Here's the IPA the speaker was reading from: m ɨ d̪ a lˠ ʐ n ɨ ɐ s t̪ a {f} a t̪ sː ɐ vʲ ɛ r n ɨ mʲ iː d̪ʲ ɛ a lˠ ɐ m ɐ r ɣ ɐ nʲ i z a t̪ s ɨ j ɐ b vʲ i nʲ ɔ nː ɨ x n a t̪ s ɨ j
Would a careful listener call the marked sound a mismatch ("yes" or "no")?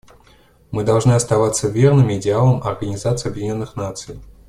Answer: yes